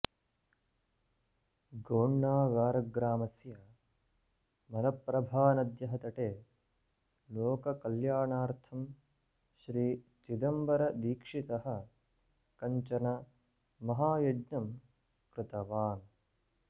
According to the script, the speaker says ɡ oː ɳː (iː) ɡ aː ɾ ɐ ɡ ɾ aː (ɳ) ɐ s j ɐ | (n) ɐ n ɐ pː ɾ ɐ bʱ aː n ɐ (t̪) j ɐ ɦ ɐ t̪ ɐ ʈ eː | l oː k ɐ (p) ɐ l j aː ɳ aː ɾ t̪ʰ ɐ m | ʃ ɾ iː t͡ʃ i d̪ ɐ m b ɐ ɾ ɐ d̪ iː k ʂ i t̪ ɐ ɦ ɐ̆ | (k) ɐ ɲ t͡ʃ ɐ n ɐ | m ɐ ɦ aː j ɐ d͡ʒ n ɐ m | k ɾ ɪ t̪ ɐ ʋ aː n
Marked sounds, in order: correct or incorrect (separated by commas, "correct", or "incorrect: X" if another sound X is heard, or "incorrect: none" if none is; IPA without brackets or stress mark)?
incorrect: aː, incorrect: m, incorrect: m, incorrect: d̪, incorrect: k, correct